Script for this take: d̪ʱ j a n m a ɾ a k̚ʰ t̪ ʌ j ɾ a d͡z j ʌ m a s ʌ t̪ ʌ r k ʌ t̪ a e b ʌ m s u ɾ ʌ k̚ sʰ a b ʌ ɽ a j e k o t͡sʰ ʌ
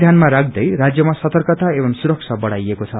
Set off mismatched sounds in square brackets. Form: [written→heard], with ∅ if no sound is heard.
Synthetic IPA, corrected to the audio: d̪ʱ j a n m a ɾ a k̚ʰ [t̪→d̪] ʌ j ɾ a d͡z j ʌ m a s ʌ t̪ ʌ r k ʌ t̪ a e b ʌ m s u ɾ ʌ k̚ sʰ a b ʌ ɽ a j e k o t͡sʰ ʌ